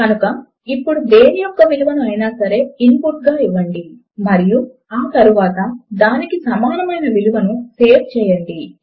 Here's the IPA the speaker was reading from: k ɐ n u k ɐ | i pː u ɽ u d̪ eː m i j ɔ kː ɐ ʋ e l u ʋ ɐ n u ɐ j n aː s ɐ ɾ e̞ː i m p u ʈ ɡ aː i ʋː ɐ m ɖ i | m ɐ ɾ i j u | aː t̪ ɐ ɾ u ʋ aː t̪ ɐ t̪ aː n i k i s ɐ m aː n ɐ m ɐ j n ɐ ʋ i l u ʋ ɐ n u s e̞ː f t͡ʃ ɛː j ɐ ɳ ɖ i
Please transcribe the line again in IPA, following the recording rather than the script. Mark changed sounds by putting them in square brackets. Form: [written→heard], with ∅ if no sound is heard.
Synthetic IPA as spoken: k ɐ n u k ɐ | i pː u ɽ u d̪ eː [m→n] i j ɔ kː ɐ ʋ [e→i] l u ʋ ɐ n u ɐ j n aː s ɐ ɾ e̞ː i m p u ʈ ɡ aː i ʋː ɐ [m→ɳ] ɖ i | m ɐ ɾ i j u | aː t̪ ɐ ɾ u ʋ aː t̪ ɐ [t̪→d̪] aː n i k i s ɐ m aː n ɐ m ɐ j n ɐ ʋ i l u ʋ ɐ n u s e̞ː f t͡ʃ ɛː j ɐ ɳ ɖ i